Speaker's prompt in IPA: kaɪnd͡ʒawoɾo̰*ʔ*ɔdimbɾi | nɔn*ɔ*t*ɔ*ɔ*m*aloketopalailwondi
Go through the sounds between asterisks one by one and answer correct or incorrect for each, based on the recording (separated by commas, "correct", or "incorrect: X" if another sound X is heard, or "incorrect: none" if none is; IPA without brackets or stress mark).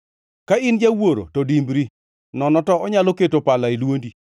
incorrect: t, correct, correct, incorrect: ɲ